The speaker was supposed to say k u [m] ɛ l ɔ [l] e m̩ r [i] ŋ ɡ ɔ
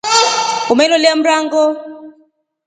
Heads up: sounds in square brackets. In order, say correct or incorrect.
correct, correct, incorrect

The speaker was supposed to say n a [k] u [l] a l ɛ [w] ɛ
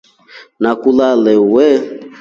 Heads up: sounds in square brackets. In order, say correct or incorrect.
correct, correct, correct

